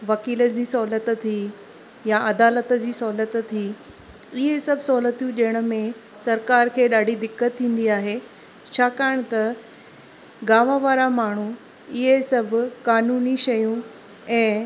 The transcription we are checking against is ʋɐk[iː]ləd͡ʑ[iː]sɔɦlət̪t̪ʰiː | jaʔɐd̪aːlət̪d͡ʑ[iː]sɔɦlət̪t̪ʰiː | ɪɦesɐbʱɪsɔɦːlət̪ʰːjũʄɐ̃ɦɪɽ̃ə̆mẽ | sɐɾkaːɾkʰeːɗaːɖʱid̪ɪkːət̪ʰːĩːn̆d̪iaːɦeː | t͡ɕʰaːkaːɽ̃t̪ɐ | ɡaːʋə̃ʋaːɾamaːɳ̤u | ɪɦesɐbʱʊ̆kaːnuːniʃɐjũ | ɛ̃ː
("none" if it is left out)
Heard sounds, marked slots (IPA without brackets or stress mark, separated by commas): iː, iː, iː